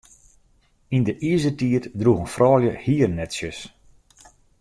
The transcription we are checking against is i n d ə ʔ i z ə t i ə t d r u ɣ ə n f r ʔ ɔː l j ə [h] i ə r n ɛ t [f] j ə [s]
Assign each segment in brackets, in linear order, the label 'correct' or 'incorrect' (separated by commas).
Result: correct, incorrect, correct